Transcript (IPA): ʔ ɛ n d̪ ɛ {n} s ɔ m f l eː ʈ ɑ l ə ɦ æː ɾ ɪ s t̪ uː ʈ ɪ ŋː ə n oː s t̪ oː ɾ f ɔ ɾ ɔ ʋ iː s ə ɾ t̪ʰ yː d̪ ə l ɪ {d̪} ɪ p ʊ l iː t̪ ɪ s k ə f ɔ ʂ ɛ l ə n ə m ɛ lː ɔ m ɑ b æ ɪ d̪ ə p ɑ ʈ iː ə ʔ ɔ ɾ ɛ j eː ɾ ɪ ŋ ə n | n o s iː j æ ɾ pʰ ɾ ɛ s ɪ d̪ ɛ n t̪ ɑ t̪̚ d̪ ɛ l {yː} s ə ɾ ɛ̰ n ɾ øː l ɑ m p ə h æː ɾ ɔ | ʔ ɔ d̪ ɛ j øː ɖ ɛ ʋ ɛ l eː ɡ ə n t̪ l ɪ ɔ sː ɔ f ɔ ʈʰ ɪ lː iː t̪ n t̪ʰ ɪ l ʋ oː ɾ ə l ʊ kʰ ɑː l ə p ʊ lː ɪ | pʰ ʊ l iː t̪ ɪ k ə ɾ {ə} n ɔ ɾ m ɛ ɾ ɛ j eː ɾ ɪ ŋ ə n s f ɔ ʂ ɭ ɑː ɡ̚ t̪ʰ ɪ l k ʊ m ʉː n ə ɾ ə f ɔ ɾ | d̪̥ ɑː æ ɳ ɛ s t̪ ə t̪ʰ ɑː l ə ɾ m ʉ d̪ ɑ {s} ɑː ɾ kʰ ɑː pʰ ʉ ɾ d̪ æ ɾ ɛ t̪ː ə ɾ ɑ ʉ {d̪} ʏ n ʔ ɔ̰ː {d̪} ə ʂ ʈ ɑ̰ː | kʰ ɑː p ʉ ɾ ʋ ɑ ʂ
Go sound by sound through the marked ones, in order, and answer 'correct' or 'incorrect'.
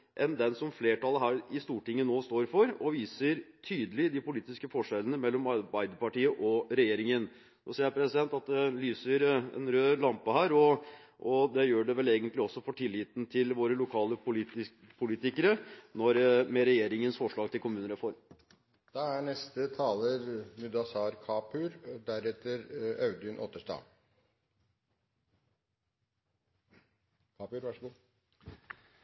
correct, correct, correct, correct, correct, correct, incorrect

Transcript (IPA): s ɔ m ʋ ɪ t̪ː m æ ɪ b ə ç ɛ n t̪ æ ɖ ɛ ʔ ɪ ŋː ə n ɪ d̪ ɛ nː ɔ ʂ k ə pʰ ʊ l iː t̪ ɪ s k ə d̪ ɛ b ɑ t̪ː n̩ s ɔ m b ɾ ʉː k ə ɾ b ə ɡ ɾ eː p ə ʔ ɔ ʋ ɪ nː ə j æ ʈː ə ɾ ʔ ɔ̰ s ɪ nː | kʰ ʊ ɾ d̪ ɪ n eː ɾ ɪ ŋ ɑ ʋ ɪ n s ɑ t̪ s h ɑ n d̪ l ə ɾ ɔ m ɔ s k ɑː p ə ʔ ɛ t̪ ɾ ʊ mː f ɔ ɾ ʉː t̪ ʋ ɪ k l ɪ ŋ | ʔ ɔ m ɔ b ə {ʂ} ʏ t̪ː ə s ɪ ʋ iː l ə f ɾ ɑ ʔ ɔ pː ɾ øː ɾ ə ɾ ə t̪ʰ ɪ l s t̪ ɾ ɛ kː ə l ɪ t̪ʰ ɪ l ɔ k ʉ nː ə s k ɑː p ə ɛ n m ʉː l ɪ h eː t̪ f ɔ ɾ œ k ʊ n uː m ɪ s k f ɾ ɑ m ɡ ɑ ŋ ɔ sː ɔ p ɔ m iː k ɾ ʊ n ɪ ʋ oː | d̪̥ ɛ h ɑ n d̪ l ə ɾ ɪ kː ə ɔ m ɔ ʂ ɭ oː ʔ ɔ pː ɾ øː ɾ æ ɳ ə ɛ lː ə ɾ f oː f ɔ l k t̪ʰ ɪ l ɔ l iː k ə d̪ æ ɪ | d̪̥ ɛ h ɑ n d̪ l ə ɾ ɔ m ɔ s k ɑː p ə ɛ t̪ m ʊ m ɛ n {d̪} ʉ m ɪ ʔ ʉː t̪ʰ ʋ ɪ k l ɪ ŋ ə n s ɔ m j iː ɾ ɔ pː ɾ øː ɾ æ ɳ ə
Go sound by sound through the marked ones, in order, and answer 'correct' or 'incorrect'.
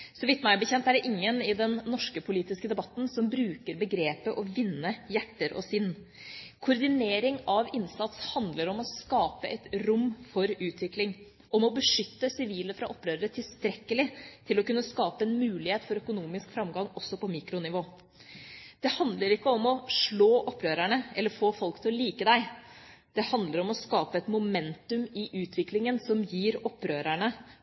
correct, incorrect

